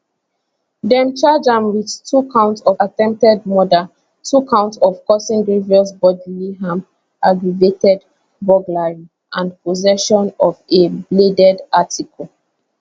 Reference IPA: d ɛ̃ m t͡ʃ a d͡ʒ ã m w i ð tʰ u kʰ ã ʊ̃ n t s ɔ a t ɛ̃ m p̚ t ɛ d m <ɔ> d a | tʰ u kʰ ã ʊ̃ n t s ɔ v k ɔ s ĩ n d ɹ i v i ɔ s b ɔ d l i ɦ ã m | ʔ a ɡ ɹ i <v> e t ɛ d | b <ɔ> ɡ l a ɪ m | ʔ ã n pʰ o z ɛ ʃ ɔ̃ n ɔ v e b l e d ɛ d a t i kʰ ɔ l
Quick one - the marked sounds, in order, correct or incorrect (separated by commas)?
correct, correct, correct